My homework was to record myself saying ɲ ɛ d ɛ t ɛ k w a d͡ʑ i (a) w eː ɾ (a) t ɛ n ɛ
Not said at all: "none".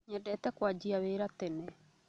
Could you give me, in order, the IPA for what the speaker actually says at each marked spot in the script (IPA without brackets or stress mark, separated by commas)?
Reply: a, a